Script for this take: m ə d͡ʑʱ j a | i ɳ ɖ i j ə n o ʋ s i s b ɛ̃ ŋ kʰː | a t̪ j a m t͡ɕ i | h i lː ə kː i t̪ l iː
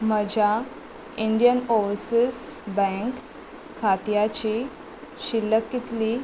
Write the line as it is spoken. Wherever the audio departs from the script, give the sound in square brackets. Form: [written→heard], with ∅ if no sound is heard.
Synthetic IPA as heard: m ə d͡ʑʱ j a | i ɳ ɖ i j ə n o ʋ s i s b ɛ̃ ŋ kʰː | a t̪ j a [m→∅] t͡ɕ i | [h→ɕ] i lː ə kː i t̪ l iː